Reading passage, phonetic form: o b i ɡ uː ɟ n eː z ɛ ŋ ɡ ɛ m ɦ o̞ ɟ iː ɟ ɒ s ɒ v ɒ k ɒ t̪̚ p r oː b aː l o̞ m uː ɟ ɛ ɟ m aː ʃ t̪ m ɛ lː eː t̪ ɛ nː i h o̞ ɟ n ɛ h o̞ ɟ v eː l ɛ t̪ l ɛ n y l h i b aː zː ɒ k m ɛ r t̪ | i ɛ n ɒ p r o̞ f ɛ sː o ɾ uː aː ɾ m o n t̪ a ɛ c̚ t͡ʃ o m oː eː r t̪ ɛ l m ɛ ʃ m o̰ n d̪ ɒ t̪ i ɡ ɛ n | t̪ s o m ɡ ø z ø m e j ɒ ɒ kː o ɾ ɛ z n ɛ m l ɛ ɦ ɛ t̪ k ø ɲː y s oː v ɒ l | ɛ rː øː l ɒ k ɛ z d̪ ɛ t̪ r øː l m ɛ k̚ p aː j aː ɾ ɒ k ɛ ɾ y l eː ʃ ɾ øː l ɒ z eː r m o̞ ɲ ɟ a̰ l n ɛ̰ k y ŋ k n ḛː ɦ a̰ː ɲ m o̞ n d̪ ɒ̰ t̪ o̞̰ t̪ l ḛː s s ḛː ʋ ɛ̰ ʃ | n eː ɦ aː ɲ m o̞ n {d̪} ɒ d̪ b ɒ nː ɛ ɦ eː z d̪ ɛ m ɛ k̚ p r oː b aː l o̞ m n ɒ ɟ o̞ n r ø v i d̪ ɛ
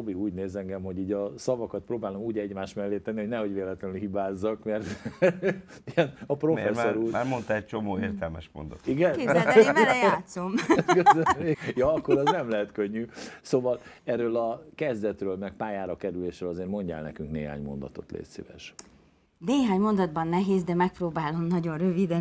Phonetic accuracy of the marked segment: correct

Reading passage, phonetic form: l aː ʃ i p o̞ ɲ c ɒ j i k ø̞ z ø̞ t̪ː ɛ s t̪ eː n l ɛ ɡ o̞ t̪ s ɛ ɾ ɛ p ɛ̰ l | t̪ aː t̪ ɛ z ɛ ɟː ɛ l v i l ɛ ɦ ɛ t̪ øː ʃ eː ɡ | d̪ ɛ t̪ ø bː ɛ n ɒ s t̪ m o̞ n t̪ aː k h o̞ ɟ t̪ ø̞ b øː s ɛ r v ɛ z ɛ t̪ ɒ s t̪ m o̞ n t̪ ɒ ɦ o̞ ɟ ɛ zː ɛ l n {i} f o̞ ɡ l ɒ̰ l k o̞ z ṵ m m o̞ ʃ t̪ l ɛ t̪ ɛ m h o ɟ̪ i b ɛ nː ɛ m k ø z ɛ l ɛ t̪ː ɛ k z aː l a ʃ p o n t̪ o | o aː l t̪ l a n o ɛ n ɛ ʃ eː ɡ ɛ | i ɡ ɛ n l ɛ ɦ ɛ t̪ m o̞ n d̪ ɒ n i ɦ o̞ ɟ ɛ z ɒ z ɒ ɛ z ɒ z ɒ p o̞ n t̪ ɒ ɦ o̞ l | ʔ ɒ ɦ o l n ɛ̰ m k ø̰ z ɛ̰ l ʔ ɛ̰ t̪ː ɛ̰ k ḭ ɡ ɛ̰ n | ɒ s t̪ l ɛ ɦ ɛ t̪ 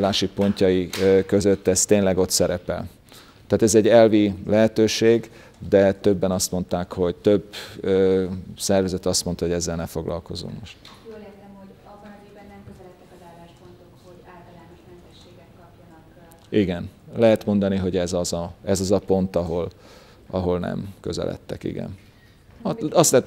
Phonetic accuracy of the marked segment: incorrect: ɛ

